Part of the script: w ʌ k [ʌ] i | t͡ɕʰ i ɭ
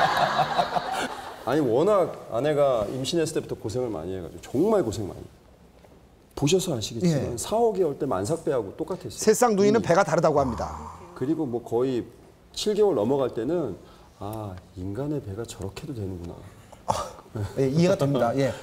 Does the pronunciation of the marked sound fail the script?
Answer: no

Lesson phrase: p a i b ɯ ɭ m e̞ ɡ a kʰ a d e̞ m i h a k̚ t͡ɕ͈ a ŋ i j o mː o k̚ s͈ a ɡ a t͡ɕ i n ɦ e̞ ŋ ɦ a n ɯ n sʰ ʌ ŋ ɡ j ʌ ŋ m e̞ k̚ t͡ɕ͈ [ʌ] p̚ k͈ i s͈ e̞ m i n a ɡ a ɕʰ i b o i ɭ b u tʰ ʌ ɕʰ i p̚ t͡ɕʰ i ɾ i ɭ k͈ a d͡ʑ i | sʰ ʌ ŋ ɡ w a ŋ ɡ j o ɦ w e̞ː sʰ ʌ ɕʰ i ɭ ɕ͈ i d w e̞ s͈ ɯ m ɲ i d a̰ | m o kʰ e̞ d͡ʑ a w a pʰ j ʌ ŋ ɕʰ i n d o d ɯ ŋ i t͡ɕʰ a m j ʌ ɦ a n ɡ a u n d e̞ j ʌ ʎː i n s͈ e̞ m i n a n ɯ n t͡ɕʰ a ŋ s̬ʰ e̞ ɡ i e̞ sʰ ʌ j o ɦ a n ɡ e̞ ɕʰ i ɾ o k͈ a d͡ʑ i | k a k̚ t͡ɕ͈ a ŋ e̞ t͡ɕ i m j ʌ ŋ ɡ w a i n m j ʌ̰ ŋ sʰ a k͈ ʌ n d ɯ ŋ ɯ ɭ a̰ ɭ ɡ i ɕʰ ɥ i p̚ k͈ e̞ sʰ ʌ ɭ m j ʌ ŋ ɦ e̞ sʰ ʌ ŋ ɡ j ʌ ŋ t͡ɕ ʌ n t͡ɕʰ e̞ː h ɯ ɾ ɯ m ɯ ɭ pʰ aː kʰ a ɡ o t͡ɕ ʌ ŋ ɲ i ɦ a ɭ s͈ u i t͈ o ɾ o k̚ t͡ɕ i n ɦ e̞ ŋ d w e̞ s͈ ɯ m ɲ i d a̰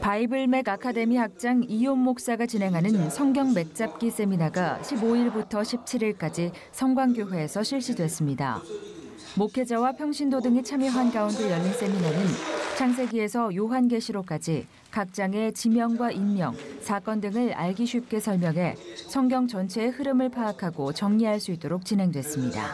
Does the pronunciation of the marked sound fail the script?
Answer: yes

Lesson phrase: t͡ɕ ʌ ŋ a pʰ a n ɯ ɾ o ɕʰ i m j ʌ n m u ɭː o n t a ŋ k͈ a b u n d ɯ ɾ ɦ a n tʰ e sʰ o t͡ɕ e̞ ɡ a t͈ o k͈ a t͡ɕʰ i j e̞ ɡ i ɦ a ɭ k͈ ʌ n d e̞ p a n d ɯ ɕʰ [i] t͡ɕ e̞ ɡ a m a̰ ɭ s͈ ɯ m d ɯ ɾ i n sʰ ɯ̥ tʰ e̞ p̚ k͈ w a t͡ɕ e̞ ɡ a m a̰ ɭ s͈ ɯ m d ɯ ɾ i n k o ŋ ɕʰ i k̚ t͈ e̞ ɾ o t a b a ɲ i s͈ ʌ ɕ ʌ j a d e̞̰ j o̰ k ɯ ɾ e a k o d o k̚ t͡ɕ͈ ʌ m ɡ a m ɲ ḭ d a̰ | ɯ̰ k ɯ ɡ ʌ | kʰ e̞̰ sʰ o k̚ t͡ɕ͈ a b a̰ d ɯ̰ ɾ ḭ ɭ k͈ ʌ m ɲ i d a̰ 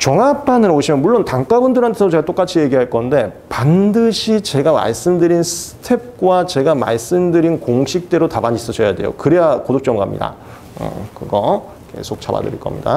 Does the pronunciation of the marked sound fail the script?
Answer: no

